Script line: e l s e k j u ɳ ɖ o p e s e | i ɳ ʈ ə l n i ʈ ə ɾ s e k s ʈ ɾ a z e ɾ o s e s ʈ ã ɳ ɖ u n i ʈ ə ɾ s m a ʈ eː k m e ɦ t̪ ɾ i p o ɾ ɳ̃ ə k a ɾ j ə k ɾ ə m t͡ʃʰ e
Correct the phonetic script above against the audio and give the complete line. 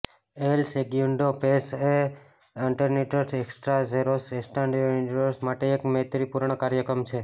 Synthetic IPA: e l s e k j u ɳ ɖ o p e s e | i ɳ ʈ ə ɾ n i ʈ ə ɾ s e k s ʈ ɾ a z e ɾ o s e s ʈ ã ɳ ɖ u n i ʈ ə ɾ s m a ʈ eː k m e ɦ t̪ ɾ i p u ɾ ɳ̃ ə k a ɾ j ə k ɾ ə m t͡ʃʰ e